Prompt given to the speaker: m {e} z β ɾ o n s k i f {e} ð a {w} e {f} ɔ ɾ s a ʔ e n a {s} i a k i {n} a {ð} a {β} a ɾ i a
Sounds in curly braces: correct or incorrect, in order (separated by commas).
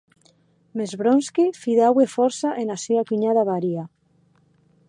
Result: correct, incorrect, correct, correct, correct, incorrect, correct, correct